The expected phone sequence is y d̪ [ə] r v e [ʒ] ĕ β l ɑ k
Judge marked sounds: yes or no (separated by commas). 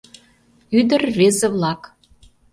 yes, no